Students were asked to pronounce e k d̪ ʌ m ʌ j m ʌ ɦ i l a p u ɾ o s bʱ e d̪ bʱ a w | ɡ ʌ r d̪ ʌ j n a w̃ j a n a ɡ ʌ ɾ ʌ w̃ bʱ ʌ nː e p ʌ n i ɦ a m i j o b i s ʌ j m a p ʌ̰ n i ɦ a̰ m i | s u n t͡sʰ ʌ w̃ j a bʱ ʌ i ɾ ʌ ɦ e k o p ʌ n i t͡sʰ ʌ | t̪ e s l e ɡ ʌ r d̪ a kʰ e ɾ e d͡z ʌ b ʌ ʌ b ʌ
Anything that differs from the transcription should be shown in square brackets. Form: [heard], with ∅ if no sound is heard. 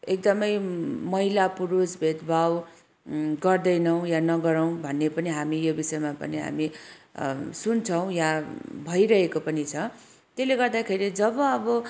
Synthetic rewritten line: e k d̪ ʌ m ʌ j m ʌ ɦ i l a p u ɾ [u] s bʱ e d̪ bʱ a w | ɡ ʌ r d̪ ʌ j n [ʌ] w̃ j a n [ʌ] ɡ ʌ ɾ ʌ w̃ bʱ ʌ nː e p ʌ n i ɦ a m i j o b i s ʌ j m a p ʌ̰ n i ɦ a̰ m i | s u n t͡sʰ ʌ w̃ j a bʱ ʌ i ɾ ʌ ɦ e k o p ʌ n i t͡sʰ ʌ | t̪ e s l e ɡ ʌ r d̪ a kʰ e ɾ [i] d͡z ʌ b ʌ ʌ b ʌ